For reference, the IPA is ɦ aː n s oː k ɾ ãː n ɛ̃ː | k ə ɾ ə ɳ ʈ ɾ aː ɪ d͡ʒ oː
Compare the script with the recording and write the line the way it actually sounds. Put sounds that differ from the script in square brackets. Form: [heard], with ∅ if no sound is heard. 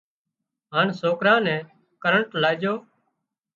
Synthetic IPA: ɦ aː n s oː k ɾ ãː n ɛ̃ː | k ə ɾ ə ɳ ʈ [l] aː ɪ d͡ʒ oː